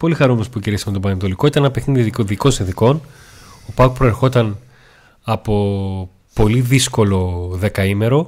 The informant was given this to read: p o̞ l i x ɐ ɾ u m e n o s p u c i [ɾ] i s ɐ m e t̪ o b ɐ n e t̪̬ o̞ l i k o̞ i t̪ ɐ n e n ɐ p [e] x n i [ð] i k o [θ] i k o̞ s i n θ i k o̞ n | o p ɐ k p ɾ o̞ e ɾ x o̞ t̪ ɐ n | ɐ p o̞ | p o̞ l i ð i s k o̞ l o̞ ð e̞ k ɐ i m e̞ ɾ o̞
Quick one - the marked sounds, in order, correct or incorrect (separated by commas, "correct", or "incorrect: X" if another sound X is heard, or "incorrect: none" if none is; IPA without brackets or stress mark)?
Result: correct, correct, correct, incorrect: ð